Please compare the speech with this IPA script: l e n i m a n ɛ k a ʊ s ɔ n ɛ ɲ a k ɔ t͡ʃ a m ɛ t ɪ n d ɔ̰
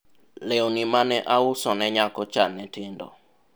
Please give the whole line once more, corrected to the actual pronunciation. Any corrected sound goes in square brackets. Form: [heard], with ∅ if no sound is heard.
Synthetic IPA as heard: l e n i m a n ɛ [ʔ] a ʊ s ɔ n ɛ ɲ a k ɔ t͡ʃ a [n] ɛ t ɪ n d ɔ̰